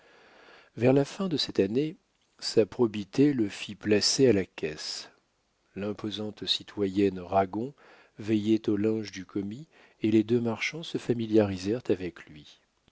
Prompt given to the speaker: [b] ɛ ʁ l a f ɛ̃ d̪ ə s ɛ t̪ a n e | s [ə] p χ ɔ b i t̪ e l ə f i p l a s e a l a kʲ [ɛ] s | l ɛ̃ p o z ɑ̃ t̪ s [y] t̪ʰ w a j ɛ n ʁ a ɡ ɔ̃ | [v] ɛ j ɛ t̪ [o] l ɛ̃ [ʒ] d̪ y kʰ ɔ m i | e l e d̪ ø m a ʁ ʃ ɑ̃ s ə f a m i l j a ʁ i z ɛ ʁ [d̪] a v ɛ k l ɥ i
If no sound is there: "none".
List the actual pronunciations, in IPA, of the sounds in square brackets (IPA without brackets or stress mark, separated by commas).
v, a, ɛ, i, v, o, ʒ, t̪